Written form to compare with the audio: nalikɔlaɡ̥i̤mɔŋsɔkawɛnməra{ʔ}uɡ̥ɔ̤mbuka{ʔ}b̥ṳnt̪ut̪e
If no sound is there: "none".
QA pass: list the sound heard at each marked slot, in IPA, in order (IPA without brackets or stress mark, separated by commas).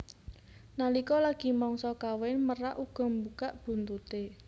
ʔ, ʔ